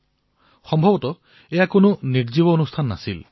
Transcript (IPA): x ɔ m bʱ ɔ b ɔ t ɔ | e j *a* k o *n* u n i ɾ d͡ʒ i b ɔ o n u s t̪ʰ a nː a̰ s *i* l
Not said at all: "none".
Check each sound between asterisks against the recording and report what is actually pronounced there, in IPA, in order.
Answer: a, n, i

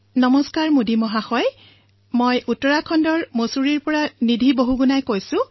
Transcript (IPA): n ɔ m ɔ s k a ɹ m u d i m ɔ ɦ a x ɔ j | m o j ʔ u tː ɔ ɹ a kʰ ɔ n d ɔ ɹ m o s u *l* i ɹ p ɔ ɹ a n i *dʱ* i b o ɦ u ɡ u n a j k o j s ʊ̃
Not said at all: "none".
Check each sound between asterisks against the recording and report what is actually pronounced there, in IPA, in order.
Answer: ɹ, dʱ

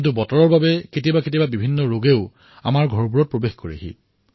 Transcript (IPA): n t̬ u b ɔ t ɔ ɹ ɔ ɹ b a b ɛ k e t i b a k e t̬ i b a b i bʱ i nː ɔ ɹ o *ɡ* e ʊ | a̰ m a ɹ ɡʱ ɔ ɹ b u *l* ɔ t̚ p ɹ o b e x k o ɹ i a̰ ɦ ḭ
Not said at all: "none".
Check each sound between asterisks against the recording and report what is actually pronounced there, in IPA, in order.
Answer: ɡ, ɹ

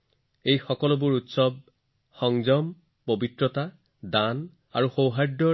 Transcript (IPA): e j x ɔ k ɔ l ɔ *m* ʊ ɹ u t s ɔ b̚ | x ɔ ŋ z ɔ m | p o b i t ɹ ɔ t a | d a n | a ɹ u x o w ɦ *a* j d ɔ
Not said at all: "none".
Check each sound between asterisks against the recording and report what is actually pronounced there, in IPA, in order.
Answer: b, a

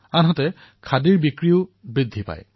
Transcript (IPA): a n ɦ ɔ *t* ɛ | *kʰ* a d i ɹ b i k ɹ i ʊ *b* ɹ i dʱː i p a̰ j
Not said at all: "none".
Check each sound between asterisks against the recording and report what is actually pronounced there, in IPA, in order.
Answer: t, kʰ, b

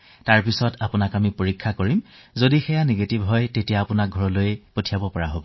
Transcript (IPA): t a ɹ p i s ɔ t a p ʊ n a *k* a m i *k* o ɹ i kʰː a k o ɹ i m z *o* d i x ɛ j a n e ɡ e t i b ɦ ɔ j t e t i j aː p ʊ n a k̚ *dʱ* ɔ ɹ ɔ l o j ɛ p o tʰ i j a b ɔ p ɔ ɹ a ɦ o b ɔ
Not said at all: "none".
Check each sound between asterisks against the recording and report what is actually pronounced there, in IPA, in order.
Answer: k, p, o, ɡʱ

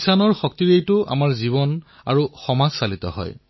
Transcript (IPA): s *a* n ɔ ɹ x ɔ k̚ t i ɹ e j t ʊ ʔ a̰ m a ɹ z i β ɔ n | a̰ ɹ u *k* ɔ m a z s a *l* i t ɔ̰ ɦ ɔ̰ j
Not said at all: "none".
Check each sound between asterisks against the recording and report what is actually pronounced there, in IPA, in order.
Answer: a, x, l

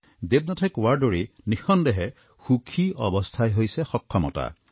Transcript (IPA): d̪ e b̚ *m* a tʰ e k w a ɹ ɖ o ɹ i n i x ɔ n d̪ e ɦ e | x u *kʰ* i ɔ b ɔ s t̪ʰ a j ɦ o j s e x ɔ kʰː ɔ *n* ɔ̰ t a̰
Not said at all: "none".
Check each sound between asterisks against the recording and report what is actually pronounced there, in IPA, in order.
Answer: n, kʰ, m

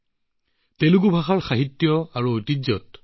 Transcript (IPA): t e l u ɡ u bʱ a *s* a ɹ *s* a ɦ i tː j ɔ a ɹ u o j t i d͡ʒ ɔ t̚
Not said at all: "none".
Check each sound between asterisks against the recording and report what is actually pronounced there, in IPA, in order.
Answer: x, x

